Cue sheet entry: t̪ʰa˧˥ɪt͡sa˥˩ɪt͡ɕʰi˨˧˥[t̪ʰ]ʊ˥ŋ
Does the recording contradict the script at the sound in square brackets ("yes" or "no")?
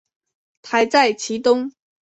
yes